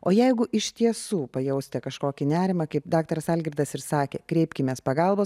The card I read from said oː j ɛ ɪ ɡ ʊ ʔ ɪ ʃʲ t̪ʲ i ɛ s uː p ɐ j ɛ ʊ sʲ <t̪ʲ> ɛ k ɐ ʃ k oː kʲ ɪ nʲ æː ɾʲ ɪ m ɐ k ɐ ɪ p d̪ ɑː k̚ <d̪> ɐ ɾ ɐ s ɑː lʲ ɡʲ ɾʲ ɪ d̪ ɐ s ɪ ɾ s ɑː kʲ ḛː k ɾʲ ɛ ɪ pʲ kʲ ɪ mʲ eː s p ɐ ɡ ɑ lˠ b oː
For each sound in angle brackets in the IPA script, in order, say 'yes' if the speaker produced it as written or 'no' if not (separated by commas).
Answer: yes, no